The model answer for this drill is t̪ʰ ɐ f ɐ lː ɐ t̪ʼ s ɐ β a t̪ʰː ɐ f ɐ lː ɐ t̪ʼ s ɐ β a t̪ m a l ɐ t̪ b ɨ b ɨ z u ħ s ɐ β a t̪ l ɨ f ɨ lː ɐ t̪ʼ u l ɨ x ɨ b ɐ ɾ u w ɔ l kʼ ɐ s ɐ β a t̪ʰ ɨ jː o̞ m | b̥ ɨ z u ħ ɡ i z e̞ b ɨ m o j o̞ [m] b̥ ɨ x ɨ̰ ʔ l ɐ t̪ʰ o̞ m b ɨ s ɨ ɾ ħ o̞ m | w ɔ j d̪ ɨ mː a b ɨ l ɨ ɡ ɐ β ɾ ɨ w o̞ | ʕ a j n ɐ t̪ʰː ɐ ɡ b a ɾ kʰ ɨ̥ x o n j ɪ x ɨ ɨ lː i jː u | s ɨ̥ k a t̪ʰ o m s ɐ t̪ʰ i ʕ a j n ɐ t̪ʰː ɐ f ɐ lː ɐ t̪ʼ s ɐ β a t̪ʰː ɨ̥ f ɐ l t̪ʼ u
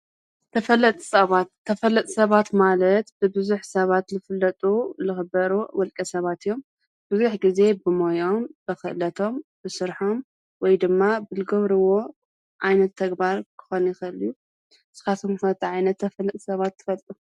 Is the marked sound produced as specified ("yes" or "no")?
yes